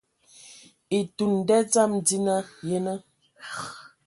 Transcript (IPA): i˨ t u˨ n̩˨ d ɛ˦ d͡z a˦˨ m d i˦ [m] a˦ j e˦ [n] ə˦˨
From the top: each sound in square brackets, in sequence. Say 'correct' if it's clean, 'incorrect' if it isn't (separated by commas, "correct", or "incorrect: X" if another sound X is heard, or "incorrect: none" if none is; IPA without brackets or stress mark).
incorrect: n, correct